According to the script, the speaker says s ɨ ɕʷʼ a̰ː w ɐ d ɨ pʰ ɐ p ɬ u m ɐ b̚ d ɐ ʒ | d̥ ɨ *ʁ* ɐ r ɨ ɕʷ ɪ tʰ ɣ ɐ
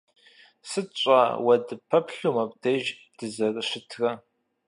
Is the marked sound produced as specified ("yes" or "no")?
no